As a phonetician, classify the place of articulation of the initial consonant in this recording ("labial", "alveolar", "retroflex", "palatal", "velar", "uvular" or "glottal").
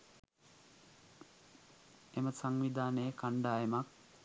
labial